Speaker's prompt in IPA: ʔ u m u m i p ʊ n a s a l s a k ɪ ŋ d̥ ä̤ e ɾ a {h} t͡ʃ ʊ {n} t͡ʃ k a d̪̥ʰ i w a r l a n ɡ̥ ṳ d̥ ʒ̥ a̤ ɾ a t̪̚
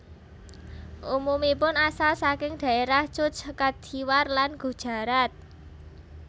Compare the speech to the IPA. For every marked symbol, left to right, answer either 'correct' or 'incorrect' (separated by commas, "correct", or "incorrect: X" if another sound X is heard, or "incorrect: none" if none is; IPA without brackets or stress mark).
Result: correct, incorrect: none